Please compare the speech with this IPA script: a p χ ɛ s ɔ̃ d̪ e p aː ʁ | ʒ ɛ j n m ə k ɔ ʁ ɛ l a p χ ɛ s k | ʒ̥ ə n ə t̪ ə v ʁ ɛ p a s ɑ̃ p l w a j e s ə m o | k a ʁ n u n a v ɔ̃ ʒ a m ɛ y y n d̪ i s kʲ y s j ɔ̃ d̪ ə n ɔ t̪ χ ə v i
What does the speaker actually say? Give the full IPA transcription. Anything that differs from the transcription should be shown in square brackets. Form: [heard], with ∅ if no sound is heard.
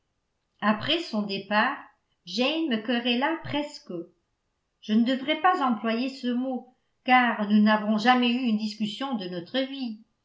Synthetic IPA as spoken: a p χ ɛ s ɔ̃ d̪ e p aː ʁ | ʒ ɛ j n m ə k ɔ ʁ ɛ l a p χ ɛ s k | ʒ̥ ə n ə [d̪] ə v ʁ ɛ p a [z] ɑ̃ p l w a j e s ə m o | k a ʁ n u n a v ɔ̃ ʒ a m ɛ y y n d̪ i s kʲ y s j ɔ̃ d̪ ə n ɔ t̪ χ ə v i

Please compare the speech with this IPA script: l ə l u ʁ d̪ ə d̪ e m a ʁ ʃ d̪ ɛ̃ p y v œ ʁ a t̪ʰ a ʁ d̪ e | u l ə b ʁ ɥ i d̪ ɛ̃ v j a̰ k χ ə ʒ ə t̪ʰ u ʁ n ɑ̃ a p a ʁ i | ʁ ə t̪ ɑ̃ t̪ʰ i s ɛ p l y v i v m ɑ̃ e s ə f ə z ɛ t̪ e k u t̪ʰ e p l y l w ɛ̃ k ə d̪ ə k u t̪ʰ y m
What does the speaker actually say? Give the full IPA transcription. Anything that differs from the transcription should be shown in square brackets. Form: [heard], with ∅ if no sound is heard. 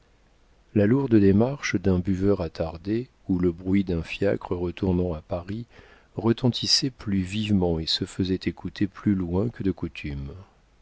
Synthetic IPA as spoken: l [a] l u ʁ d̪ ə d̪ e m a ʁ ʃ d̪ ɛ̃ [b] y v œ ʁ a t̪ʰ a ʁ d̪ e | u l ə b ʁ ɥ i d̪ ɛ̃ [f] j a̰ k χ ə [ʁ] ə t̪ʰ u ʁ n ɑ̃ a p a ʁ i | ʁ ə t̪ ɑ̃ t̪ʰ i s ɛ p l y v i v m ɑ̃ e s ə f ə z ɛ t̪ e k u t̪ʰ e p l y l w ɛ̃ k ə d̪ ə k u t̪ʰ y m

